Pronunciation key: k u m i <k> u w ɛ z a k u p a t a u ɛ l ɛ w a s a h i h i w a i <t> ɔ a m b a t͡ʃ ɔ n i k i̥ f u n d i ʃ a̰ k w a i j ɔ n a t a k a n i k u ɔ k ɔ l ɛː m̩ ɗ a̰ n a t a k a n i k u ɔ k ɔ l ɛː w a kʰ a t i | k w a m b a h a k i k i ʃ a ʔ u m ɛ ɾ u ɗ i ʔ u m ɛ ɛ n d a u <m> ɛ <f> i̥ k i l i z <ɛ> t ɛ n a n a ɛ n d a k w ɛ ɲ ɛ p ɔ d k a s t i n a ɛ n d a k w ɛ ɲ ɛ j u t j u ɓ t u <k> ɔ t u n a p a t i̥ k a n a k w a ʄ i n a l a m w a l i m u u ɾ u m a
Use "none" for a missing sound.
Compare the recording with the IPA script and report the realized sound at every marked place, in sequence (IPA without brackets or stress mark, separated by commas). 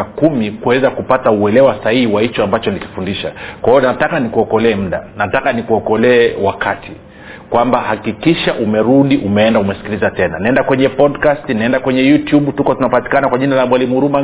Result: k, t͡ʃ, m, s, a, k